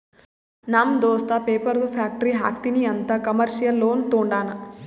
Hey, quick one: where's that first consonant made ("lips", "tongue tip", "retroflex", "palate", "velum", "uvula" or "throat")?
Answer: tongue tip